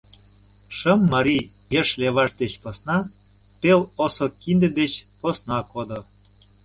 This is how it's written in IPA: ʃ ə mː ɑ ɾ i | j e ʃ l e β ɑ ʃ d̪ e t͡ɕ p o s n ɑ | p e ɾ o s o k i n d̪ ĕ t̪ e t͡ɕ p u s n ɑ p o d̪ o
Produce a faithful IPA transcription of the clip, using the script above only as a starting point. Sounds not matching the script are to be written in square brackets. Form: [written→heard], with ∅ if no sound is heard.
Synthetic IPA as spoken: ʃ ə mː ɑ ɾ i | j e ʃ l e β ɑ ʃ d̪ e t͡ɕ p o s n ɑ | p e [ɾ→l] o s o k i n d̪ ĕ [t̪→d̪] e t͡ɕ p [u→o] s n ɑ [p→k] o d̪ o